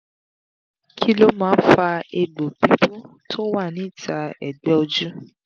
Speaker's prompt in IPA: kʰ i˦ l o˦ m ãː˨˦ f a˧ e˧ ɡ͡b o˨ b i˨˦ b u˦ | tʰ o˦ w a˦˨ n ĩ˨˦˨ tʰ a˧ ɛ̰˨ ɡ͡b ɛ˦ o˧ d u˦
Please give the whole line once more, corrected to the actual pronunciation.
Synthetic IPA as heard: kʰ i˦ l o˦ m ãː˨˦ f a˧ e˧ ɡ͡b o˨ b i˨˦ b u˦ | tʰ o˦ w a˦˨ n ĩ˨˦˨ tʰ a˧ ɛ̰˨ ɡ͡b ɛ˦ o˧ d͡ʒ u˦